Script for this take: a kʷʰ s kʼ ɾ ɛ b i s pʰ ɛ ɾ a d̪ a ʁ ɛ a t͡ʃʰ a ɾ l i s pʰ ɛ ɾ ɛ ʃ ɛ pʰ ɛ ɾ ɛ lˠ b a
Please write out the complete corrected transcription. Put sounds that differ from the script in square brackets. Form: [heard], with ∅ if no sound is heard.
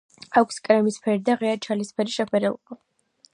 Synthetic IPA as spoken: a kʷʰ s kʼ ɾ ɛ [m] i s pʰ ɛ ɾ [i] d̪ a ʁ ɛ a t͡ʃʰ a [∅] l i s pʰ ɛ ɾ [i] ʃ ɛ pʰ ɛ ɾ ɛ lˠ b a